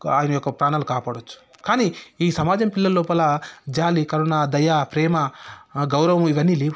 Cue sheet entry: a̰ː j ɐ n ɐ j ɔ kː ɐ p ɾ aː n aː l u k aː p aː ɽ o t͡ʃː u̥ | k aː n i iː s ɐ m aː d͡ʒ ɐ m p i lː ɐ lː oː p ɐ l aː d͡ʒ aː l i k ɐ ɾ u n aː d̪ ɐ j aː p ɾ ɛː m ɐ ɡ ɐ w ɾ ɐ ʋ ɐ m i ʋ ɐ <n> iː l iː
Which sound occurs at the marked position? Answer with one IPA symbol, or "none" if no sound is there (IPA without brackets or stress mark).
nː